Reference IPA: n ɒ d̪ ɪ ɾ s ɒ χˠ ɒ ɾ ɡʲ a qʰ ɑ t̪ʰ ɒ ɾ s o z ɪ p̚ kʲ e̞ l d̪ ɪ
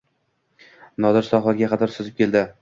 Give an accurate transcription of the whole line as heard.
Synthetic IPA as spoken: n ɒ d̪ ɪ ɾ s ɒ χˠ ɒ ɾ ɡʲ a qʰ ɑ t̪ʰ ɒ ɾ s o z ɪ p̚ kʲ e̞ l d̪ ɪ